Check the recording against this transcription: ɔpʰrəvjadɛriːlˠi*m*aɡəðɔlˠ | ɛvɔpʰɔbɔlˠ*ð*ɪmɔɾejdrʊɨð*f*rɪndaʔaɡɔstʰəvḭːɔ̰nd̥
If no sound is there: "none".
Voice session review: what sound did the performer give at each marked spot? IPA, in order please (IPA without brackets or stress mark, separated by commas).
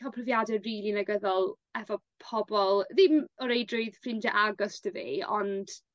n, ð, f